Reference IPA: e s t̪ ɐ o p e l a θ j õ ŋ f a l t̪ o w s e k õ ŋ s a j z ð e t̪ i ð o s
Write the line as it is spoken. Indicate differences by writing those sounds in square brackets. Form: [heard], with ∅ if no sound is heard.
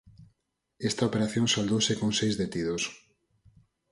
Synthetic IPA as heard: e s t̪ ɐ o p e [ɾ] a θ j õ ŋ [s] a l [d̪] o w s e k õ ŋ s [e] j z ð e t̪ i ð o s